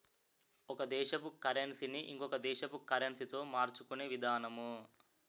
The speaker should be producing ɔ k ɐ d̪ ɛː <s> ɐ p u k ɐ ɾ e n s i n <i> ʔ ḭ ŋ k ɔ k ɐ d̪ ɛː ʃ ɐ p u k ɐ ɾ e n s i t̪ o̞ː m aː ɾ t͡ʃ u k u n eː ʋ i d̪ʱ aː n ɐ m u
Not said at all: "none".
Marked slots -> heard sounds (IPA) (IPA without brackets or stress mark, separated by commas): ʃ, i